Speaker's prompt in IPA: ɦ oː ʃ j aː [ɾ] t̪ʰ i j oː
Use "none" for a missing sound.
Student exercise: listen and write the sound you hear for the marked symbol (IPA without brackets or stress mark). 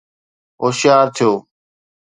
ɾ